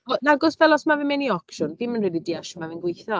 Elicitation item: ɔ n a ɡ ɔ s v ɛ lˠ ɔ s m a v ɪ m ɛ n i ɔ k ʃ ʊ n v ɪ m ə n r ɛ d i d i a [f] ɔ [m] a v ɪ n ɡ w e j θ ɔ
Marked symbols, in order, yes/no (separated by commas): no, yes